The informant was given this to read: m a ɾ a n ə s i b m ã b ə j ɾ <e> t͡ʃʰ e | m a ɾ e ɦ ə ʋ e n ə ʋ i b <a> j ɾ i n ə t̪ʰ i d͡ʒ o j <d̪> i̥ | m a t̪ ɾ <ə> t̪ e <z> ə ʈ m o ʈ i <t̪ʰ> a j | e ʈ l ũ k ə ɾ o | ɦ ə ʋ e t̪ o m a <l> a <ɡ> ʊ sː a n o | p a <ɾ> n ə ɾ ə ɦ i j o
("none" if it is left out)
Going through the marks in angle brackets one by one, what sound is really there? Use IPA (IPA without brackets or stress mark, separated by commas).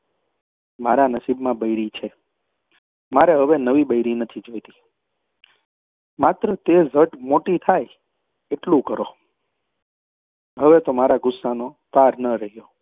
i, ə, t̪, ə, z, t̪ʰ, ɾ, ɡ, ɾ